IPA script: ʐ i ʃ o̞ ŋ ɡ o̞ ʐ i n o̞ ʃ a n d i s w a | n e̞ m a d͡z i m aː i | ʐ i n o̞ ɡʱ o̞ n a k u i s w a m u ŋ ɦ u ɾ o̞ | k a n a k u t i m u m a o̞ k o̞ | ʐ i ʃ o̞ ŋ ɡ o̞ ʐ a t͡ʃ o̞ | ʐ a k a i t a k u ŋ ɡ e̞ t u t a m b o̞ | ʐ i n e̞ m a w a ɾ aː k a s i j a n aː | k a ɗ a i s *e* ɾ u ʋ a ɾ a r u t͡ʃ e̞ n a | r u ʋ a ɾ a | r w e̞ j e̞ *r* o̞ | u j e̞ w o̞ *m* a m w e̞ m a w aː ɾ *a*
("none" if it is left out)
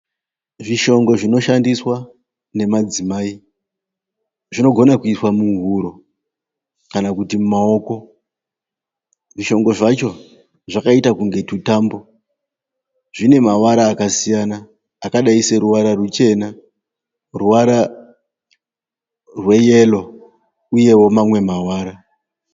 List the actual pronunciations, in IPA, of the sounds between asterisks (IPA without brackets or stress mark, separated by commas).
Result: e, l, m, a